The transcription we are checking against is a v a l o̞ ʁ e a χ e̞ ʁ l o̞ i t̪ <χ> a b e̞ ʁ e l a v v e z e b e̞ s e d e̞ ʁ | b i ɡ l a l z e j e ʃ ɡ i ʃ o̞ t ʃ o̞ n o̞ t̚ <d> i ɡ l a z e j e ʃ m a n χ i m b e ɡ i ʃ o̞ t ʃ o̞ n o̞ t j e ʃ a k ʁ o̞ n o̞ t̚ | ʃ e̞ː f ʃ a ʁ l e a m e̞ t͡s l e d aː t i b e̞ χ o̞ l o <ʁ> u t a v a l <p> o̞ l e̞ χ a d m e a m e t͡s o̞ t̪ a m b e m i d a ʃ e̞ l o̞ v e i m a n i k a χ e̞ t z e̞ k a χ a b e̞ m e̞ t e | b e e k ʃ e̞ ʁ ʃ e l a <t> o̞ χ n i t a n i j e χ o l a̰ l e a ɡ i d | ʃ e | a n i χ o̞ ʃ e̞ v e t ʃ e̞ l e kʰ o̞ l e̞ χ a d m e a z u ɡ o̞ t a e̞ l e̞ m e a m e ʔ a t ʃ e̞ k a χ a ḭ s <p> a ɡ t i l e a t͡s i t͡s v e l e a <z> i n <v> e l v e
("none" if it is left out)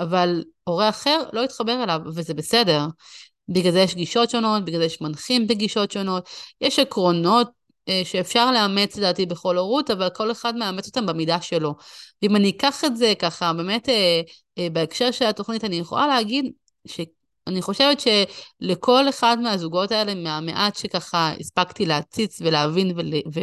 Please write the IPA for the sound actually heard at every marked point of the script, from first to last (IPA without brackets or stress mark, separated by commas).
χ, b, ʁ, k, t, p, v, v